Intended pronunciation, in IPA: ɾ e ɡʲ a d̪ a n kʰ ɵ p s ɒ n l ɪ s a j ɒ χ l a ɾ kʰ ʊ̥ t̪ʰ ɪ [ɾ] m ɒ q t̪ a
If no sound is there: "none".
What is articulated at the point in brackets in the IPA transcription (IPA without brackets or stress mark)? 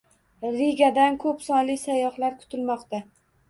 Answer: l